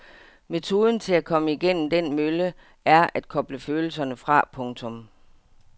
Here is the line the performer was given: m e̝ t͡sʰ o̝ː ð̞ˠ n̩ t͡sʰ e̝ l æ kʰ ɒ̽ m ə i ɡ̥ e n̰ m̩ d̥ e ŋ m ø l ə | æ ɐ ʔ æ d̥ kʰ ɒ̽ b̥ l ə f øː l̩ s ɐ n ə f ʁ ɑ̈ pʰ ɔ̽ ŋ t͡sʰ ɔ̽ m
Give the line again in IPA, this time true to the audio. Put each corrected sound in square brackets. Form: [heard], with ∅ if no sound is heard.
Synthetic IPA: m e̝ t͡sʰ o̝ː ð̞ˠ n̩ t͡sʰ e̝ l æ kʰ ɒ̽ m ə i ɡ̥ e n̰ m̩ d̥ e [n] m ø l ə | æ ɐ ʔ æ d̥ kʰ ɒ̽ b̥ l ə f øː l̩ s ɐ n ə f ʁ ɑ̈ pʰ ɔ̽ ŋ t͡sʰ ɔ̽ m

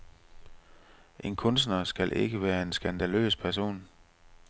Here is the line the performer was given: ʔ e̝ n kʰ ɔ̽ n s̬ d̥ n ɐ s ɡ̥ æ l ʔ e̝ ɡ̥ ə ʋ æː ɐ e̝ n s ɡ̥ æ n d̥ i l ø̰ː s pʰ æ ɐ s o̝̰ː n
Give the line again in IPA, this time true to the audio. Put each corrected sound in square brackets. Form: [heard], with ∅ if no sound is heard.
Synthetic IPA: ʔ e̝ n kʰ ɔ̽ n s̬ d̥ n ɐ s ɡ̥ æ l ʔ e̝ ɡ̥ ə ʋ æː ɐ e̝ n s ɡ̥ æ n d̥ [æ] l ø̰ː s pʰ æ ɐ s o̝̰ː n

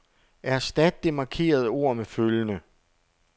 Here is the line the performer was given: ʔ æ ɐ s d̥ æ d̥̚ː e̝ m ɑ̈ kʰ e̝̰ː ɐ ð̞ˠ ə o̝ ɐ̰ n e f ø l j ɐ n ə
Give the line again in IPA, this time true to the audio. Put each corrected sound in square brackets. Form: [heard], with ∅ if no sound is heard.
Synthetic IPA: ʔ æ ɐ s d̥ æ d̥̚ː e̝ m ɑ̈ kʰ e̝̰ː ɐ ð̞ˠ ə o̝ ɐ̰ [m] e f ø l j [ə] n ə

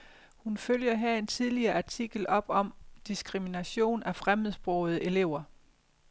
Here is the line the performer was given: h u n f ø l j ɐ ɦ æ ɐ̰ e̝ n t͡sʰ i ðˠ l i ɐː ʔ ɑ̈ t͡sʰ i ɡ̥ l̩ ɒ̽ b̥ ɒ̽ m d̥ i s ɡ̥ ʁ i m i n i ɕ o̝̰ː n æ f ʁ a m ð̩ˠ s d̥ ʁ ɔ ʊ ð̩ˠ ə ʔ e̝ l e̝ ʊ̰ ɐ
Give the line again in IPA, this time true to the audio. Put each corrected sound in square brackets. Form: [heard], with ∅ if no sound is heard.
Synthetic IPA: h u n f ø l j ɐ ɦ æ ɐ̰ e̝ n t͡sʰ i ðˠ l i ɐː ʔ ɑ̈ t͡sʰ i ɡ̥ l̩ ɒ̽ b̥ ɒ̽ m d̥ i s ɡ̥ ʁ i m i n [æ] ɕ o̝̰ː n æ f ʁ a m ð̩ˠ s [b̥] ʁ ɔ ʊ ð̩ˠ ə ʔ e̝ l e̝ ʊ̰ ɐ

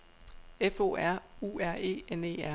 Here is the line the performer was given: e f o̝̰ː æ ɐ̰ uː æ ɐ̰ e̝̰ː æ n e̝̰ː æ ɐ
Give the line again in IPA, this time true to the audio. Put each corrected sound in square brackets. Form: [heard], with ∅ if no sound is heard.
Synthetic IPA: e f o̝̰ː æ ɐ̰ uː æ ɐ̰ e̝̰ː [e] n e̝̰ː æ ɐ

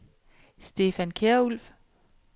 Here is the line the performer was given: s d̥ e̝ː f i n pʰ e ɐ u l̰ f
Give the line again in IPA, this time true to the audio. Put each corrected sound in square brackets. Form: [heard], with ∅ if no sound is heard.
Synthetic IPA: s d̥ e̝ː f [æ] n [kʰ] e ɐ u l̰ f

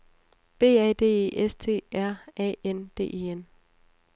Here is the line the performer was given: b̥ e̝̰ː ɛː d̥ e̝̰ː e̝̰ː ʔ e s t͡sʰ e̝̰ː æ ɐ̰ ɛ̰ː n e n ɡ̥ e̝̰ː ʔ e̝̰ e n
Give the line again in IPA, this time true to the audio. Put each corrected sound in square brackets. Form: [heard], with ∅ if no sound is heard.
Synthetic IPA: b̥ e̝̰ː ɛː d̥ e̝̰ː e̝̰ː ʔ e s t͡sʰ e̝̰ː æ ɐ̰ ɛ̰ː [∅] e n [d̥] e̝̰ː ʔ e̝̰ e n

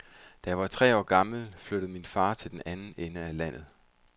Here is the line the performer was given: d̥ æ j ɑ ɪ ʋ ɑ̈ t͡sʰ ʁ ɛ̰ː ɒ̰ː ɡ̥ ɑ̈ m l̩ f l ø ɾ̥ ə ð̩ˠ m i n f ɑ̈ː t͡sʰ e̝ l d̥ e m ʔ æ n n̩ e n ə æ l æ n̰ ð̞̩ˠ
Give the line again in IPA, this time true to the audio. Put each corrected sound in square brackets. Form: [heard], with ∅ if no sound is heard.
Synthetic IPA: d̥ æ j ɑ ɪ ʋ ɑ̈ t͡sʰ ʁ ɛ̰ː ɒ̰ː ɡ̥ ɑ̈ m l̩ f l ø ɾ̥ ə ð̩ˠ m i n f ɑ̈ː t͡sʰ e̝ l d̥ e [n] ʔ æ n n̩ e n ə æ l æ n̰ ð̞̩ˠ

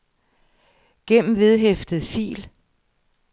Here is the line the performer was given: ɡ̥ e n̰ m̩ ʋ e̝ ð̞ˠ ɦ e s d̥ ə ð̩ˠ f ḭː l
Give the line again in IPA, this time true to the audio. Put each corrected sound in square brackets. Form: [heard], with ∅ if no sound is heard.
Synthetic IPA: ɡ̥ e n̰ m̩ ʋ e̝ ð̞ˠ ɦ e [f] d̥ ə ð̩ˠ f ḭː l

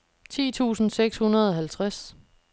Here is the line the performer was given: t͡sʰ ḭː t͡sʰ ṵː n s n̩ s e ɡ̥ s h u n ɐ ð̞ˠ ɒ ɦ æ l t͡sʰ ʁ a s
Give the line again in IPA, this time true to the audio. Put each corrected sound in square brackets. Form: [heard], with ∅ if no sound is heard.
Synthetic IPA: t͡sʰ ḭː t͡sʰ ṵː [∅] s n̩ s e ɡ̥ s h u n ɐ ð̞ˠ ɒ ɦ æ l t͡sʰ ʁ a s

